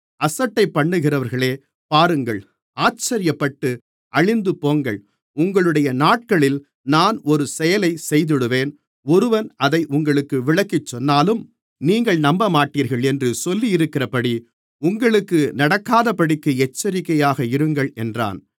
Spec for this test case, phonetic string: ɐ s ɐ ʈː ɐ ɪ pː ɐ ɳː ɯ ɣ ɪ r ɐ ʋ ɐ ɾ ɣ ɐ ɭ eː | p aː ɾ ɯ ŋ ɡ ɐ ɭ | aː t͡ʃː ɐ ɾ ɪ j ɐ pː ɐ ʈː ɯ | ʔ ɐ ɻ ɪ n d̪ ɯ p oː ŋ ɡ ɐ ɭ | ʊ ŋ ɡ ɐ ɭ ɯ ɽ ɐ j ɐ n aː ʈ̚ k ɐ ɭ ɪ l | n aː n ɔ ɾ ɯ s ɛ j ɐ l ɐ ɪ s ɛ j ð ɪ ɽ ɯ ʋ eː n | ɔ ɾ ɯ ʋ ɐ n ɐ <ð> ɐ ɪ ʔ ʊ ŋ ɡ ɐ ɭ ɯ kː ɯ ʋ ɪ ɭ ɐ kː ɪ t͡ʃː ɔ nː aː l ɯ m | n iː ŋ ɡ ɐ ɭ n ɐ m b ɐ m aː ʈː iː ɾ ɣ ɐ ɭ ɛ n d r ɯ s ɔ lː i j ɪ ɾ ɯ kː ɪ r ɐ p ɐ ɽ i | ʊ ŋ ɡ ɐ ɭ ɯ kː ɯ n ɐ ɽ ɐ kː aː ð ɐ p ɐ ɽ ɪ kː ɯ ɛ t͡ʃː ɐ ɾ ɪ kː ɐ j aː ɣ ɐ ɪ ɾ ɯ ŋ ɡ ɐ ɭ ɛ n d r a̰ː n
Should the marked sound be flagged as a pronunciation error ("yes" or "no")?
no